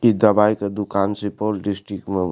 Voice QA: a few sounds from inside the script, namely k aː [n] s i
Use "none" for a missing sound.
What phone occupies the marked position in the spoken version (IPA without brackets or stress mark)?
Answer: n